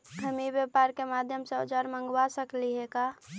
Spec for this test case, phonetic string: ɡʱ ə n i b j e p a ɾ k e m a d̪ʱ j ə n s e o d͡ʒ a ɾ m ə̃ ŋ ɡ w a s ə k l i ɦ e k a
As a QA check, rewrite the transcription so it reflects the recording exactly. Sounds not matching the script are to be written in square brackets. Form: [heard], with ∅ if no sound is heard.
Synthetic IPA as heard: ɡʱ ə [m] i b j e p a ɾ k e m a d̪ʱ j ə [m] s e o d͡ʒ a ɾ m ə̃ ŋ ɡ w a s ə k l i ɦ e k a